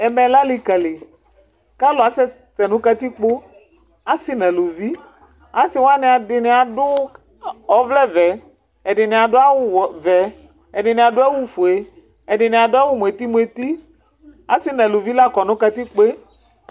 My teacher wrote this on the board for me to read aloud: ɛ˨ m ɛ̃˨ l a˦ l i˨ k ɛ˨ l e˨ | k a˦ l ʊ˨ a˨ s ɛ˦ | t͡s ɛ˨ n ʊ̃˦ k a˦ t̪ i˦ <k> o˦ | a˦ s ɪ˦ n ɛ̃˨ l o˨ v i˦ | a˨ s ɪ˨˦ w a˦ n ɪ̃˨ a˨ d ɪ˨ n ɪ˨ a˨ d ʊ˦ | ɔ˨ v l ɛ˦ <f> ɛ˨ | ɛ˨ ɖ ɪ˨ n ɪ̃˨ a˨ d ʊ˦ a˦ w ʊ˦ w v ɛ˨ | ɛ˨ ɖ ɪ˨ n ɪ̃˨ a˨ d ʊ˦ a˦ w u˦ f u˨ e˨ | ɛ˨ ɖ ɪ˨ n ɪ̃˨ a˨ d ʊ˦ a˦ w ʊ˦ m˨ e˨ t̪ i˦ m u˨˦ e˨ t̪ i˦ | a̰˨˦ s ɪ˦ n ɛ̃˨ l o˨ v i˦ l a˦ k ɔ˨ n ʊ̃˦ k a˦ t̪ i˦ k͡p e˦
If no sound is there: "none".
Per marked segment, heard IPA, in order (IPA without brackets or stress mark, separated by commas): k͡p, v